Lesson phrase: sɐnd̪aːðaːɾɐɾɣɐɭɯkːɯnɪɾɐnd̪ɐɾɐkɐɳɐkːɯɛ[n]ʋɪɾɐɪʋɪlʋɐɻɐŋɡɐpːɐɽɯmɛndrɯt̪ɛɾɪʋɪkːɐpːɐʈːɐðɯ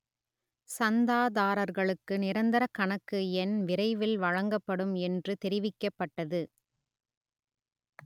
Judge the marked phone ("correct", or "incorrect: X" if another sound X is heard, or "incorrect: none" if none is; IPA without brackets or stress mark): correct